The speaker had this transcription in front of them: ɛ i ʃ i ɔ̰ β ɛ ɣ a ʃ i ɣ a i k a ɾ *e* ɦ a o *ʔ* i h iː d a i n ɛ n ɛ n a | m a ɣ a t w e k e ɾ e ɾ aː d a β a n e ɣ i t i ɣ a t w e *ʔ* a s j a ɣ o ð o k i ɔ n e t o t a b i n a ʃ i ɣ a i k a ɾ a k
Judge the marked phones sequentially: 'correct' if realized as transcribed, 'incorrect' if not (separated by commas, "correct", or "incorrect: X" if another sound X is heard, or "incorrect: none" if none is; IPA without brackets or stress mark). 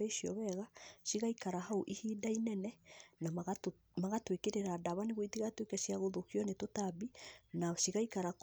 incorrect: a, correct, incorrect: k